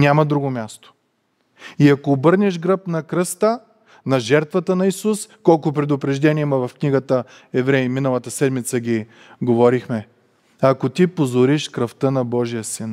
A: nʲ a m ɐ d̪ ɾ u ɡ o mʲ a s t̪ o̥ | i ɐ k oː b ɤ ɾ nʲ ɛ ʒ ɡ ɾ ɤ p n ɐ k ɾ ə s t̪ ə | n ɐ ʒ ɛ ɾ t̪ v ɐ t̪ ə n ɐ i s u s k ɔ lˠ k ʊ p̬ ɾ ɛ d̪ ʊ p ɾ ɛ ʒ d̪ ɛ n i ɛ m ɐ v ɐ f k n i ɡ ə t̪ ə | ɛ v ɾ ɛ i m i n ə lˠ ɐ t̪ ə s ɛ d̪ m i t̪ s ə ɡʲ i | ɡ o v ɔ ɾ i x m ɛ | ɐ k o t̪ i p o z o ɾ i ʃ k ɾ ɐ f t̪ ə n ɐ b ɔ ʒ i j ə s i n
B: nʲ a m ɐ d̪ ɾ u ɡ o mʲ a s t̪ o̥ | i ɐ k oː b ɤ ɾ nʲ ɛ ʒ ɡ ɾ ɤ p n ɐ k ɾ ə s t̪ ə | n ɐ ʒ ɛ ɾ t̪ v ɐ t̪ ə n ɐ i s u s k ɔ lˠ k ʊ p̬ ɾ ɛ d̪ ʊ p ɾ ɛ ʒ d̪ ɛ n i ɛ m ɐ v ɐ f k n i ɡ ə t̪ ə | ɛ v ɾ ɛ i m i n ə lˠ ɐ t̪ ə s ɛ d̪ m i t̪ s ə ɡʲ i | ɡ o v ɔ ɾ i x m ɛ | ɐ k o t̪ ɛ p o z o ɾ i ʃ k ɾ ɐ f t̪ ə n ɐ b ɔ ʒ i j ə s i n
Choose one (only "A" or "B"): A